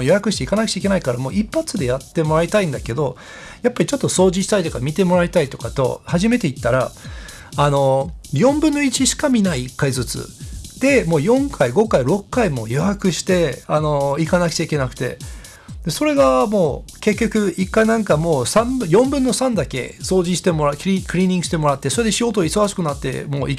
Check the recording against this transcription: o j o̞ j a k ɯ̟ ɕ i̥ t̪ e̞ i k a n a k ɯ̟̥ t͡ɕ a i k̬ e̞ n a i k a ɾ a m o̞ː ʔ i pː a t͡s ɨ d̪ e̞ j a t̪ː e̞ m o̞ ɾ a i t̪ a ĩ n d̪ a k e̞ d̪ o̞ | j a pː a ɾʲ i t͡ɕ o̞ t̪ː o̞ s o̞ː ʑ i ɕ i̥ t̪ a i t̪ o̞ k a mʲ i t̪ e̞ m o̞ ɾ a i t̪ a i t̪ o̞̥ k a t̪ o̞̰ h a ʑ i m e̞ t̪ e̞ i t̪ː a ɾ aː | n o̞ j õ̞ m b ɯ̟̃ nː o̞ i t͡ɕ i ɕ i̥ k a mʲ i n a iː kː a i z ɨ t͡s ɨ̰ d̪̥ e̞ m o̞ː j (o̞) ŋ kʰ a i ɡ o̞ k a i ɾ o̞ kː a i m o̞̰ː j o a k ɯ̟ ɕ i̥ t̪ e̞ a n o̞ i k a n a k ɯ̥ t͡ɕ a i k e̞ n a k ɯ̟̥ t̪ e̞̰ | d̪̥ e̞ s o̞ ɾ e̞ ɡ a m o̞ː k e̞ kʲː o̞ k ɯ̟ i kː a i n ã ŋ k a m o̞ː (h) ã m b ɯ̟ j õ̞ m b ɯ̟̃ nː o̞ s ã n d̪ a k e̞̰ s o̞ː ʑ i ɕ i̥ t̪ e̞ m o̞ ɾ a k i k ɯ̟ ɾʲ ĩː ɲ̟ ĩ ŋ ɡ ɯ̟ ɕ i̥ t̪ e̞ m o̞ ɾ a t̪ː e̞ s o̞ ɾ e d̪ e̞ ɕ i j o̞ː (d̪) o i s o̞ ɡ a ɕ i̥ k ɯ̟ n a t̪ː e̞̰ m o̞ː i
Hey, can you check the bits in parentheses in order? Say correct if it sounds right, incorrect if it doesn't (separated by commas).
incorrect, incorrect, incorrect